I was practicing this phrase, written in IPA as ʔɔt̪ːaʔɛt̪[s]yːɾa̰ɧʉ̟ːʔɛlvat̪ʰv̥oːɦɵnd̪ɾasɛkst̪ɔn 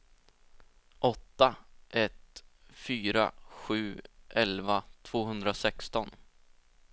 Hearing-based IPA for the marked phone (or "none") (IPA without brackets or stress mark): f